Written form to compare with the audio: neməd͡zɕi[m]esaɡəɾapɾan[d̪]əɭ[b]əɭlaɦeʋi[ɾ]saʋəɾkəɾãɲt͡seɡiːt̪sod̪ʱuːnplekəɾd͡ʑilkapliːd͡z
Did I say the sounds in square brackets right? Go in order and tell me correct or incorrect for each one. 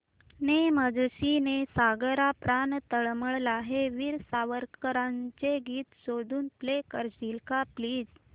incorrect, incorrect, incorrect, correct

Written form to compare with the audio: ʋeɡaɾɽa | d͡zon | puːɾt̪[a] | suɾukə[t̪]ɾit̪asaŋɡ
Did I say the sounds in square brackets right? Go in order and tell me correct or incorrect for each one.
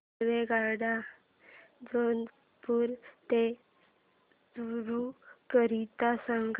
incorrect, incorrect

